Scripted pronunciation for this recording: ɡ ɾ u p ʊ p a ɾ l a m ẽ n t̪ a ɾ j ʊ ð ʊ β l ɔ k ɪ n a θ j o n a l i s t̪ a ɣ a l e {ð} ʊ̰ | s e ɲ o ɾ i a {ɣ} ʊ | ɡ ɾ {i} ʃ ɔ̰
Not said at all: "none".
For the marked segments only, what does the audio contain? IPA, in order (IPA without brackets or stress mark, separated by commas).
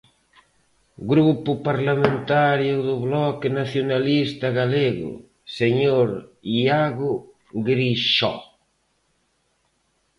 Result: ɣ, ɣ, i